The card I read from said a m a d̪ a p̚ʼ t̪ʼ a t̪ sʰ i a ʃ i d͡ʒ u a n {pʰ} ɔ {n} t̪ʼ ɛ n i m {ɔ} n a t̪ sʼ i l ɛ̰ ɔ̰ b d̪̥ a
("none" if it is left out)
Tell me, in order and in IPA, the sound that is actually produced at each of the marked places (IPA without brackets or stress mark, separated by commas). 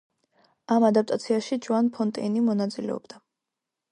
pʰ, n, ɔ